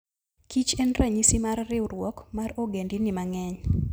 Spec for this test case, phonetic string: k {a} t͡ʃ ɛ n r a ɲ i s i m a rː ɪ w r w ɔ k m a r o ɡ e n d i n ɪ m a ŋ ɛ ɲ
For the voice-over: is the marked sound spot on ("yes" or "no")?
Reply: no